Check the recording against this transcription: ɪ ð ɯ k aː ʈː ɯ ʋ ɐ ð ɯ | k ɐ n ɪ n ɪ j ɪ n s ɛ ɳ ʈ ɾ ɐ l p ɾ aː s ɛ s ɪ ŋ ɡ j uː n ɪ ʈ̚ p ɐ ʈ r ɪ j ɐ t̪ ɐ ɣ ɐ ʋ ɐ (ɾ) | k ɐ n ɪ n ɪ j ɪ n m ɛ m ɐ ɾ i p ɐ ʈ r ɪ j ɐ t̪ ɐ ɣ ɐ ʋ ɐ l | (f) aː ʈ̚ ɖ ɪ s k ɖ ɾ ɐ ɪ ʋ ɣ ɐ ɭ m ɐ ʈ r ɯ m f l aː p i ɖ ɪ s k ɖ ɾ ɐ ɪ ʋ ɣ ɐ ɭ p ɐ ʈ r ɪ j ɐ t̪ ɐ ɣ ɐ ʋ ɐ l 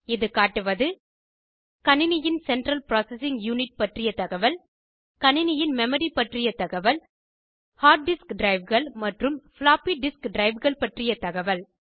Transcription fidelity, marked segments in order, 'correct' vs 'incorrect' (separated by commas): incorrect, incorrect